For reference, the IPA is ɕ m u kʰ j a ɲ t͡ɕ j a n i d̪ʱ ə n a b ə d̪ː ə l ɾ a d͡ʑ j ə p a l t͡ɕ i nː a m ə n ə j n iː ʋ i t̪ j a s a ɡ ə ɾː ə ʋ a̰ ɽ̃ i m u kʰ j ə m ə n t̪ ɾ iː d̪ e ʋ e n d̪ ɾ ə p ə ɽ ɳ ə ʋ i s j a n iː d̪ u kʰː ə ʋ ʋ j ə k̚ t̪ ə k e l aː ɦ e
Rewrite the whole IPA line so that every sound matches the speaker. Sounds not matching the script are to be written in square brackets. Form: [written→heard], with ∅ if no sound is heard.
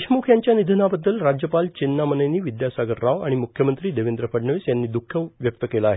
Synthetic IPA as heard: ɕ m u kʰ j a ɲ t͡ɕ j a n i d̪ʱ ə n a b ə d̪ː ə l ɾ a d͡ʑ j ə p a l t͡ɕ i nː a m ə n ə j n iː ʋ i [t̪→d̪] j a s a ɡ ə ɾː [ə→a] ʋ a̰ ɽ̃ i m u kʰ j ə m ə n t̪ ɾ iː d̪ e ʋ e n d̪ ɾ ə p ə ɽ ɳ ə ʋ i s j a [n→nː] iː d̪ u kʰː ə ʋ ʋ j ə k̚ t̪ ə k e l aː ɦ e